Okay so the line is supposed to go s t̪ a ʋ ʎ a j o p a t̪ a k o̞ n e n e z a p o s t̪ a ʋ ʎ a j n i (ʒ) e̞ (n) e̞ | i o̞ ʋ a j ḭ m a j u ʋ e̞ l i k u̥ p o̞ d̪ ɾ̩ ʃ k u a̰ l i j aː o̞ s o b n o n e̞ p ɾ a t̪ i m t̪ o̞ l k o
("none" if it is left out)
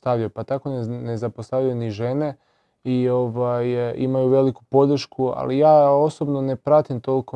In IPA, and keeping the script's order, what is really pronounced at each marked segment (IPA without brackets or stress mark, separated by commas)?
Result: ʒ, n